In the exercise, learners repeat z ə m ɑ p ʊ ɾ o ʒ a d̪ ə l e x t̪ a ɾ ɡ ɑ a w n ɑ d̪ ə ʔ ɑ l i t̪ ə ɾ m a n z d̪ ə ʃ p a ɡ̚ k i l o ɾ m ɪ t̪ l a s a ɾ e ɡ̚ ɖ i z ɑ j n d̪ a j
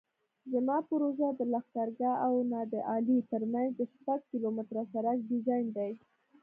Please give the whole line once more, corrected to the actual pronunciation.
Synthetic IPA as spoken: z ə m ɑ p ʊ ɾ o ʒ a d̪ ə l a x t̪ a ɾ ɡ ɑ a w n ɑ d̪ ə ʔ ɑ l i t̪ ə ɾ m a n z d̪ ə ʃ p a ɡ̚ k i l o m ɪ t̪ ɾ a s a ɾ a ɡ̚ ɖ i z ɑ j n d̪ a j